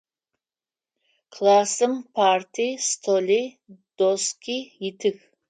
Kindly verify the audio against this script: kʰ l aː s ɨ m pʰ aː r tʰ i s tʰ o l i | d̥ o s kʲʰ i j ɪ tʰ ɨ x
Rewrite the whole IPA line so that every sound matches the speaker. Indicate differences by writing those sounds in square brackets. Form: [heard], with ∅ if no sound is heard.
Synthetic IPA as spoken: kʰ l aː s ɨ m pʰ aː r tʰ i s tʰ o l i | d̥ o s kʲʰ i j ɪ tʰ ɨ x